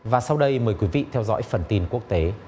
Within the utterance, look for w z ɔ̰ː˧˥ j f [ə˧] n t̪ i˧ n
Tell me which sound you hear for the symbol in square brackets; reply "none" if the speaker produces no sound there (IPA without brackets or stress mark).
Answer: ə˨˩